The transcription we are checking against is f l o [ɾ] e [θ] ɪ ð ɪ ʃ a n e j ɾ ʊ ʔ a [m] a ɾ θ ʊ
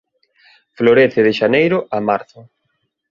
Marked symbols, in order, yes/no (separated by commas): yes, yes, yes